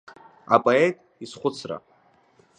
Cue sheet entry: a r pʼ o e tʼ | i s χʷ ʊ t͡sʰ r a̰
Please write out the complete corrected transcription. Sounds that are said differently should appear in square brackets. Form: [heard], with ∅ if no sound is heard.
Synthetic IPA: a [∅] pʼ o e tʼ | i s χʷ ʊ t͡sʰ r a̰